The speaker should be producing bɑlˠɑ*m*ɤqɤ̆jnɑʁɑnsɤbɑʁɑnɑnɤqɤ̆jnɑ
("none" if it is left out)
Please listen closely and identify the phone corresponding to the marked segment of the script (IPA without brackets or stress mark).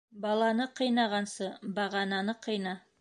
n